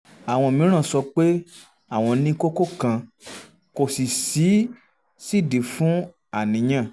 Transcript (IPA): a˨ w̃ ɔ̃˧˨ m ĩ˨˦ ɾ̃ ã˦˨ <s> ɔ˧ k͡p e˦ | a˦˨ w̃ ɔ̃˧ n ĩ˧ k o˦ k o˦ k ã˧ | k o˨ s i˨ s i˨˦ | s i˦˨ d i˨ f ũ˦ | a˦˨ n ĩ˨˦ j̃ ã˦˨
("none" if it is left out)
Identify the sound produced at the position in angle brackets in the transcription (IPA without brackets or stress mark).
s